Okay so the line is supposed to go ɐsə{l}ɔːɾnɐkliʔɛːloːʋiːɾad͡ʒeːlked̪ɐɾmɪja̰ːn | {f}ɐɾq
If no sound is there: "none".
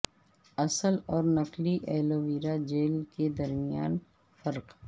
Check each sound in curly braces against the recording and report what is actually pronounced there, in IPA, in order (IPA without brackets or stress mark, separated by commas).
l, f